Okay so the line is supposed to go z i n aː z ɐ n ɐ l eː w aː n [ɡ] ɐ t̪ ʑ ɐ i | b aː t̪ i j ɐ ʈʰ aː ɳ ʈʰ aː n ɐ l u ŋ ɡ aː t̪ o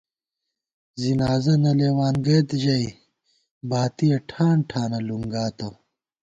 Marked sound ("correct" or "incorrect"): correct